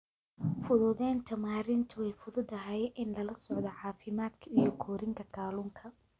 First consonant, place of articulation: labial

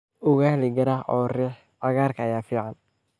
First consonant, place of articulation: velar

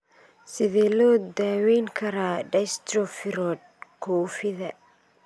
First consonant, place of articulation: alveolar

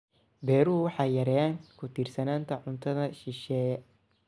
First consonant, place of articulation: labial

